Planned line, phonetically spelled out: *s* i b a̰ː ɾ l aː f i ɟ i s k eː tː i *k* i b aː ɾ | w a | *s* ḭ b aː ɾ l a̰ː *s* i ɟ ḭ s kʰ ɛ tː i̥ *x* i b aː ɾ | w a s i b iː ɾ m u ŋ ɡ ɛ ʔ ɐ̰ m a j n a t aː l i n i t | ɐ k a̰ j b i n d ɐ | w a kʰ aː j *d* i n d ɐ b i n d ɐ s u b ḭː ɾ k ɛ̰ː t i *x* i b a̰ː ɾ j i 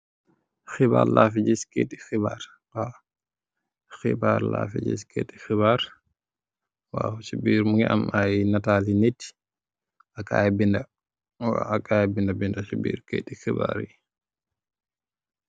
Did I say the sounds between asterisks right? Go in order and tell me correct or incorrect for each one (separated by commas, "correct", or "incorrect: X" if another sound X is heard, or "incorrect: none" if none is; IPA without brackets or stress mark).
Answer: incorrect: x, incorrect: x, incorrect: x, incorrect: f, correct, incorrect: b, correct